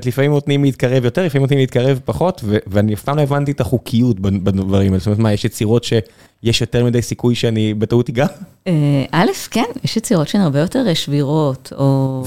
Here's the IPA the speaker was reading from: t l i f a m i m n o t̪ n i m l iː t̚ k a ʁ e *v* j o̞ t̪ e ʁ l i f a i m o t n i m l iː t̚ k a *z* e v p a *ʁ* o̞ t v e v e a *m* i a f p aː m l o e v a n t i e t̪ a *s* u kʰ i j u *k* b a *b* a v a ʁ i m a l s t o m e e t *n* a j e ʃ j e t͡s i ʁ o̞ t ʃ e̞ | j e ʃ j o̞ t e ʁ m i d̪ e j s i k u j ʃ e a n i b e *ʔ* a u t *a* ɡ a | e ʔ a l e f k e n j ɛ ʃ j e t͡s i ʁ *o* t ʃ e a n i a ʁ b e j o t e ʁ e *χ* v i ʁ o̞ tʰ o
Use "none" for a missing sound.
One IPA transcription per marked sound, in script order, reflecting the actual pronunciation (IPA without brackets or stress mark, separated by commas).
v, ʁ, χ, n, χ, t, b, m, t, i, o, ʃ